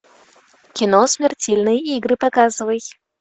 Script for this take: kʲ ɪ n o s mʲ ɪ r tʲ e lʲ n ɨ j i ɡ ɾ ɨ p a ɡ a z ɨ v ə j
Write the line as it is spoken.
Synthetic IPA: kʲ ɪ n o s mʲ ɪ r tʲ e lʲ n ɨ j i ɡ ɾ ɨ p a k a z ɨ v ə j